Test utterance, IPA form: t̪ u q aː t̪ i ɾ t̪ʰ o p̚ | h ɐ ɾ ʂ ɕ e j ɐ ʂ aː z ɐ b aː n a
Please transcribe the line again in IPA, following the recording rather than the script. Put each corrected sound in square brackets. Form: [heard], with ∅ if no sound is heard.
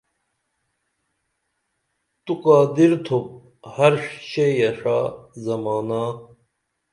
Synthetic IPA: t̪ u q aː [d̪] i ɾ t̪ʰ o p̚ | h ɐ ɾ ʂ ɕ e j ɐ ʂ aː z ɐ [m] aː n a